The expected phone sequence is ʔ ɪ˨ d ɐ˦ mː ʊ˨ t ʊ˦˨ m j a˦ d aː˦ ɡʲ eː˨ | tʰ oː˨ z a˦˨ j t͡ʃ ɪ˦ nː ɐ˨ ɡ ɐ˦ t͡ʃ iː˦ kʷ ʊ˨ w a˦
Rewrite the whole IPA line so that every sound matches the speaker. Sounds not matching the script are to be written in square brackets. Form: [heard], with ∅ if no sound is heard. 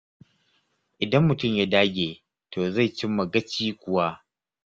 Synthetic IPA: ʔ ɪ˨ d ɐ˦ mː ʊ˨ t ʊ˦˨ m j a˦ d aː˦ ɡʲ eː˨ | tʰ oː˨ z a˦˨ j t͡ʃ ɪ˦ [mː] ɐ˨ ɡ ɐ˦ t͡ʃ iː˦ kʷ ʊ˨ w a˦